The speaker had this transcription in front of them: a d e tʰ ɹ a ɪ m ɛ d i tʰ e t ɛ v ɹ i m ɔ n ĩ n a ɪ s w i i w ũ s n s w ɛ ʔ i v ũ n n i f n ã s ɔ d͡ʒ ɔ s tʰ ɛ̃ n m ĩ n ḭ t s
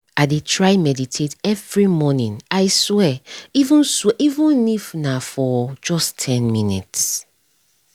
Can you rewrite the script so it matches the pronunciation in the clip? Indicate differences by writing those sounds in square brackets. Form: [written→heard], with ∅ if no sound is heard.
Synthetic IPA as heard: a d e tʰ ɹ a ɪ m ɛ d i tʰ e t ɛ v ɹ i m ɔ n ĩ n a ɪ s w [i→ɛ] i [w→v] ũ [s→∅] n s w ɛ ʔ i v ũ n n i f n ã [s→f] ɔ d͡ʒ ɔ s tʰ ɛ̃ n m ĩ n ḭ t s